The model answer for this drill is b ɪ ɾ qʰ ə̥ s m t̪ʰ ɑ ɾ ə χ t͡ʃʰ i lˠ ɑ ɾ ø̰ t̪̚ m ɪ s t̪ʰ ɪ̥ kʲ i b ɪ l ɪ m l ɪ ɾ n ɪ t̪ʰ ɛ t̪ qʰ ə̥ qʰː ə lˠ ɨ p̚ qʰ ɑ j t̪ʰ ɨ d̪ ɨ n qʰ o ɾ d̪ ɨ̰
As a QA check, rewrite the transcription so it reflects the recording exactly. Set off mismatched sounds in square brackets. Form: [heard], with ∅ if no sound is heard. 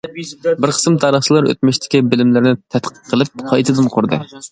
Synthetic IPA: b ɪ ɾ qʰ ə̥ s m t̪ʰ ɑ ɾ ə χ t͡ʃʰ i lˠ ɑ ɾ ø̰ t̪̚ m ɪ [ʃ] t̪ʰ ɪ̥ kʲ i b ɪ l ɪ m l ɪ ɾ n ɪ t̪ʰ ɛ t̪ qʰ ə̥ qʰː ə lˠ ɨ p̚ qʰ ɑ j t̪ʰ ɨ d̪ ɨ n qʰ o ɾ d̪ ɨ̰